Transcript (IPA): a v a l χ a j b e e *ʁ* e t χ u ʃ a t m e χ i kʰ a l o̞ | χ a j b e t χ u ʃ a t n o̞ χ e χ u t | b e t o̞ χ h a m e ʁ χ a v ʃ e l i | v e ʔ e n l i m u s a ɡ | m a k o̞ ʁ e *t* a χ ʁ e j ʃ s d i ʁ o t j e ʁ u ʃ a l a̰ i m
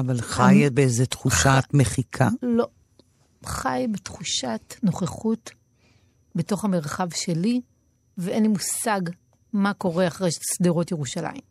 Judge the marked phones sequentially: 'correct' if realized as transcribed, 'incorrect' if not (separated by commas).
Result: incorrect, incorrect